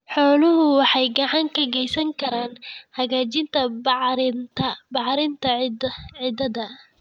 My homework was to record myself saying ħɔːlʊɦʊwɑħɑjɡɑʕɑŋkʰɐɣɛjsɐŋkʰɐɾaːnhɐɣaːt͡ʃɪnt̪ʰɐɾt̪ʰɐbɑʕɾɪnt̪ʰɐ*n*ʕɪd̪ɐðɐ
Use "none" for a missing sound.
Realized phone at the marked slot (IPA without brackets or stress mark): none